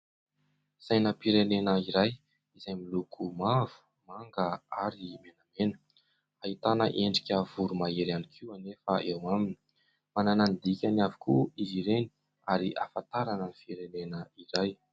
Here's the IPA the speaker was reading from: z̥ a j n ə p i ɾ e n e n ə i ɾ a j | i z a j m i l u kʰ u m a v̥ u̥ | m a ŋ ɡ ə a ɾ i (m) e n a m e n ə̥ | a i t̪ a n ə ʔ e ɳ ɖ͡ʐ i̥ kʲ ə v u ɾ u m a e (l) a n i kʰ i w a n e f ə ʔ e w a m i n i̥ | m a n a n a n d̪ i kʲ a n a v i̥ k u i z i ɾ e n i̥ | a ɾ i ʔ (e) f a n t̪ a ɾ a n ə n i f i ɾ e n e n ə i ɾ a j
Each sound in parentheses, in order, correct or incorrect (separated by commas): correct, incorrect, incorrect